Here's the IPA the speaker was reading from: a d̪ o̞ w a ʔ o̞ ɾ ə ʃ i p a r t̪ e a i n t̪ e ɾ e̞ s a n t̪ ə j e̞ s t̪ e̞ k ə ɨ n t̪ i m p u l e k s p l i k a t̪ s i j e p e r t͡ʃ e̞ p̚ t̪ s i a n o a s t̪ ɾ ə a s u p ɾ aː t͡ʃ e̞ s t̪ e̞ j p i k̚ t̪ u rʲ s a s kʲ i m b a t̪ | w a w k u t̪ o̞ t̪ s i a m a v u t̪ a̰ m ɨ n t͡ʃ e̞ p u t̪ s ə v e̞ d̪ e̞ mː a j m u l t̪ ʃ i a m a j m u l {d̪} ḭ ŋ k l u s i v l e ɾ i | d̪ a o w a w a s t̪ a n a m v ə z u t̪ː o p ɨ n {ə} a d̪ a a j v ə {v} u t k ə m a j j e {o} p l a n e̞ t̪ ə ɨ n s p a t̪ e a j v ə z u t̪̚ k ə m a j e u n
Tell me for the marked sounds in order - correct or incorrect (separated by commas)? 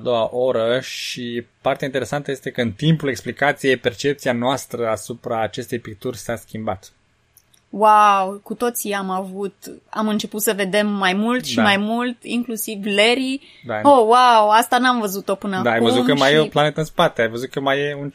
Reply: incorrect, correct, incorrect, correct